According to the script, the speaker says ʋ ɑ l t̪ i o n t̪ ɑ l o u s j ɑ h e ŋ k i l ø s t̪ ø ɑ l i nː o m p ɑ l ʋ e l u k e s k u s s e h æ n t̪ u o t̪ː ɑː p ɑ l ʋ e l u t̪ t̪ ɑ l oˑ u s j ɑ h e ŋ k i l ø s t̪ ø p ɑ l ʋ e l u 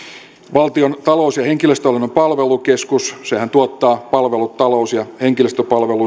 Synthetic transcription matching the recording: ʋ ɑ l t̪ i o n t̪ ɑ l o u s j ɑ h e ŋ k i l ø s t̪ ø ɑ l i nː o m p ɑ l ʋ e l u k e s k u s s e h æ n t̪ u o t̪ː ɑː p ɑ l ʋ e l u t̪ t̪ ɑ l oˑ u s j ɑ h e ŋ k i l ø s t̪ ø p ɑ l ʋ e l u